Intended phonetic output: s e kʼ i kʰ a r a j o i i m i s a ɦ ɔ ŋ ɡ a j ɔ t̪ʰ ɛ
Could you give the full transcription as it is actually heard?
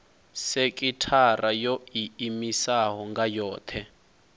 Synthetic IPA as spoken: s e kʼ i tʰ a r a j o i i m i s a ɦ ɔ ŋ ɡ a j ɔː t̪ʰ ɛ